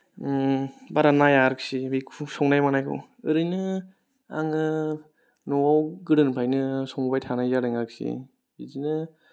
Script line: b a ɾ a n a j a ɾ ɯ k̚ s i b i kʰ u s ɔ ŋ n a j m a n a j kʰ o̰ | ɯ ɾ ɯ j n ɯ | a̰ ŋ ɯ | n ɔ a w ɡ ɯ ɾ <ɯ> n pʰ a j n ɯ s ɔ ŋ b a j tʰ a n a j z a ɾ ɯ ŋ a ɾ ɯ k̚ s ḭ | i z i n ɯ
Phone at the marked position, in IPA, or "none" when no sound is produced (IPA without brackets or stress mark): ɯ